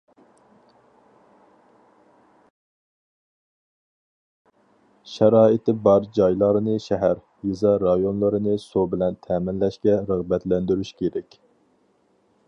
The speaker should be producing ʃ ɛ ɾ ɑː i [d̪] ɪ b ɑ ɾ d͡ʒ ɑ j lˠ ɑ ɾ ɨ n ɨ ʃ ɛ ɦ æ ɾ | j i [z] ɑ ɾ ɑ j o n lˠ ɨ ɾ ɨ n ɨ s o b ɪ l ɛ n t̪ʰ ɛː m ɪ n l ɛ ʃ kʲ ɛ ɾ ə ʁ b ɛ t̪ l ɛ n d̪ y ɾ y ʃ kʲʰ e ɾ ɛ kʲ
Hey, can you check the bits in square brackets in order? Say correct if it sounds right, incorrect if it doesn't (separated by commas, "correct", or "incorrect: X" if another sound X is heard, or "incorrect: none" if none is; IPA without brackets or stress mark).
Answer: incorrect: t̪, correct